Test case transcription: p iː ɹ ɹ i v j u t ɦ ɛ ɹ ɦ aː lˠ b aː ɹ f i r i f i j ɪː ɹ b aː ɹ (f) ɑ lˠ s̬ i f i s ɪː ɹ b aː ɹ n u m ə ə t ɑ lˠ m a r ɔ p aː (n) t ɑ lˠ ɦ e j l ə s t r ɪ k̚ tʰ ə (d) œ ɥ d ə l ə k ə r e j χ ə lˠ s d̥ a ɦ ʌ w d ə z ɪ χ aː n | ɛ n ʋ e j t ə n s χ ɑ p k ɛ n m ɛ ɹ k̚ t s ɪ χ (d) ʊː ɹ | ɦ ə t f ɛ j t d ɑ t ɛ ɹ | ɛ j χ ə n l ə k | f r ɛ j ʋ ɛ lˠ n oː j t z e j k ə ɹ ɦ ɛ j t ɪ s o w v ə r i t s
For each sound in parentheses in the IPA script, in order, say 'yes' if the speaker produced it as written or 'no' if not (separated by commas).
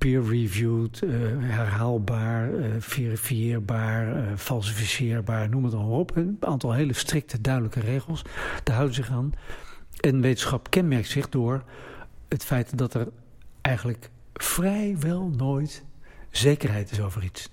yes, yes, yes, yes